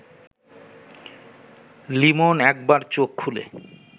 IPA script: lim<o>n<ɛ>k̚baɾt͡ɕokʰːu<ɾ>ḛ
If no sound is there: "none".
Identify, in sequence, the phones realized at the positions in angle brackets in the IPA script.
o, ɛ, l

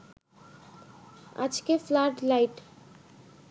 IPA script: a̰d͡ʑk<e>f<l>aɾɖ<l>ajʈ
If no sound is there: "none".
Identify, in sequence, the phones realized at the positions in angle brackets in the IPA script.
e, l, l

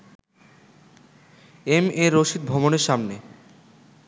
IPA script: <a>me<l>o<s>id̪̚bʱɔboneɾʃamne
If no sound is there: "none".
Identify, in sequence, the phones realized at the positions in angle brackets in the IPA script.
e, ɾ, ʃ

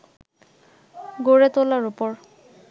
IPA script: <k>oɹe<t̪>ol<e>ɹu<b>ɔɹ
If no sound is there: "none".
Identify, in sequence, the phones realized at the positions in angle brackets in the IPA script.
ɡ, t̪, a, p

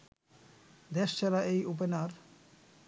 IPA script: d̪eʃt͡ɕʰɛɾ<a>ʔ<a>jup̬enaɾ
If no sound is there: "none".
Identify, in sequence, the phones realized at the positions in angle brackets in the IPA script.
a, e

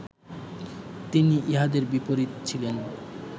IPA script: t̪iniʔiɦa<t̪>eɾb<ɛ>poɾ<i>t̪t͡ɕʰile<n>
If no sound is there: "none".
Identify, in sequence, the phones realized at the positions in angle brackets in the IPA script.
d̪, i, i, n

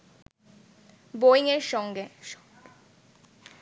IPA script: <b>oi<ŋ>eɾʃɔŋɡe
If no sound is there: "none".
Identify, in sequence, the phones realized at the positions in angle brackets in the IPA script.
b, ŋ

